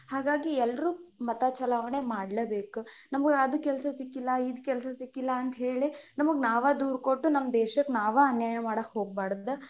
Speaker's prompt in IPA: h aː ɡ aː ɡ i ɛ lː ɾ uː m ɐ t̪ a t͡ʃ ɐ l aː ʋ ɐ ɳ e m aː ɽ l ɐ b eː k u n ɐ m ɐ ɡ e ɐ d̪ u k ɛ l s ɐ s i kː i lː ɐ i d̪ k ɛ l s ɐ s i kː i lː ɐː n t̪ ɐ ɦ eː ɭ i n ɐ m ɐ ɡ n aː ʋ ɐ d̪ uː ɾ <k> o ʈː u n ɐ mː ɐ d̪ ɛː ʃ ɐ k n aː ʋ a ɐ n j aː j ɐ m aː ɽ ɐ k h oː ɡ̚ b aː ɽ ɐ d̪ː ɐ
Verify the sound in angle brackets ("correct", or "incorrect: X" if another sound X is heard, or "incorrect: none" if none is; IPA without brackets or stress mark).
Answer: correct